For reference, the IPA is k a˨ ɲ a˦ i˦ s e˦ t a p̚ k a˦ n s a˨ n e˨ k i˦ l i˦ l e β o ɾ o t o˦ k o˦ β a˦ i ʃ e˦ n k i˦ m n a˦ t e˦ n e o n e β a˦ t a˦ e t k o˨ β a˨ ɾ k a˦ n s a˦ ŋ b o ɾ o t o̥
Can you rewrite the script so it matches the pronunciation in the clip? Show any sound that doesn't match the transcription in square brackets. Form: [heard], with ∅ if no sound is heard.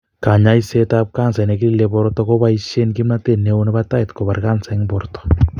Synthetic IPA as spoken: k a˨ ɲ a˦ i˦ s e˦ t a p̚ k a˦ n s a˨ n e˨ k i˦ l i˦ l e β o ɾ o t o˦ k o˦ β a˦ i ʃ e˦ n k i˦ m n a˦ t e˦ n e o n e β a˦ t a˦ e t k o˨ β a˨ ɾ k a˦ n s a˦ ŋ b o ɾ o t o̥